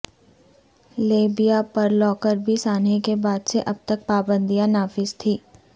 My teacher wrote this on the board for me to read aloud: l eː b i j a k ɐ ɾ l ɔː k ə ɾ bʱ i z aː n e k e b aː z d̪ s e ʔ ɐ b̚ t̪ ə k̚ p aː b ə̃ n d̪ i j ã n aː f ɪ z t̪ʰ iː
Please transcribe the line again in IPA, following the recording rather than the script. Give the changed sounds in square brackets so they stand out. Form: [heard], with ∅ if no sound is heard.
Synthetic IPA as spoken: l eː b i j a [p] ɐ ɾ l ɔː k ə ɾ bʱ i [s] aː n e k e b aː [∅] d̪ s e ʔ ɐ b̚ t̪ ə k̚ p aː b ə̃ n d̪ i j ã n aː f ɪ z t̪ʰ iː